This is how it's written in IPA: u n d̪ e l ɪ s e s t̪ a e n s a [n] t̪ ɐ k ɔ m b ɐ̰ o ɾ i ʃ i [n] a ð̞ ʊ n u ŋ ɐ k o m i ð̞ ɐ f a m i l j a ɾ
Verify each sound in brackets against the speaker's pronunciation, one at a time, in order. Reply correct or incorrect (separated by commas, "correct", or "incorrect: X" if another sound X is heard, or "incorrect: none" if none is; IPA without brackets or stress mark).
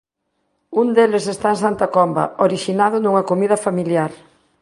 correct, correct